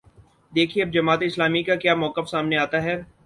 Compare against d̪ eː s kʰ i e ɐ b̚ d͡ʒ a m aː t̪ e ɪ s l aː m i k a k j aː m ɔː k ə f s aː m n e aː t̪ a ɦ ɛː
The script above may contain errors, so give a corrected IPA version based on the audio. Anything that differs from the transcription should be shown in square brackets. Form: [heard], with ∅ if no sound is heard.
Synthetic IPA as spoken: d̪ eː [∅] kʰ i e ɐ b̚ d͡ʒ [ɐ] m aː t̪ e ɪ s l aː m i k a k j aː m ɔː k ə f s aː m n e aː t̪ a ɦ ɛː